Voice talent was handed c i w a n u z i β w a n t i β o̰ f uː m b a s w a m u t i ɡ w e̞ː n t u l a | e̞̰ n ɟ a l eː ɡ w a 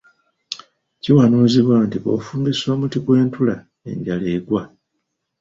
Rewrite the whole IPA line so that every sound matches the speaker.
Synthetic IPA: c i w a n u z i β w a n t i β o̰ f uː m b i s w a m u t i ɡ w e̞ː n t u l a | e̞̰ ɲ ɟ a l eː ɡ w a